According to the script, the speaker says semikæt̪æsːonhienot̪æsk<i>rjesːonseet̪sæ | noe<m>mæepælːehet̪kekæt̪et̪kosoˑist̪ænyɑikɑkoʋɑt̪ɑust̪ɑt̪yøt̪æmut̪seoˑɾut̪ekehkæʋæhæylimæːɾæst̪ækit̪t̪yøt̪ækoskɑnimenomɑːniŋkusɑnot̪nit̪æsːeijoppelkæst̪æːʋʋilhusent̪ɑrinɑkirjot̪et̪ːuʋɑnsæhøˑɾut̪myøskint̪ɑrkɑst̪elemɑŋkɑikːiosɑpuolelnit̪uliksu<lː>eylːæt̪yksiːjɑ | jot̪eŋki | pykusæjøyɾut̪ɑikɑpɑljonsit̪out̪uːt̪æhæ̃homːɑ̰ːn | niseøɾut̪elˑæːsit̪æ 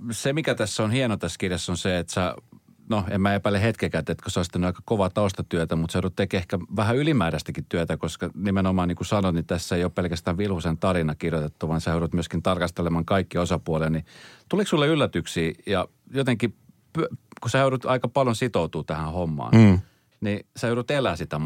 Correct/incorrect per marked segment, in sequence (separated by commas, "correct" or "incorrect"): correct, correct, correct